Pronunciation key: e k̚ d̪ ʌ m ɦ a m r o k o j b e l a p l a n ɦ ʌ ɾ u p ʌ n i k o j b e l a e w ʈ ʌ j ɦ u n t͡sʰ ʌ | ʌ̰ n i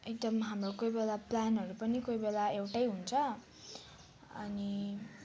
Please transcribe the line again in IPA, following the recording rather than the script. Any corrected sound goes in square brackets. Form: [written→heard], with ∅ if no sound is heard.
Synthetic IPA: e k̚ d̪ ʌ m ɦ a m r o k o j b e l a p l a n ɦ ʌ ɾ u p ʌ n i k o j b e l a e w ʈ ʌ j ɦ u n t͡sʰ ʌ | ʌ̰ n i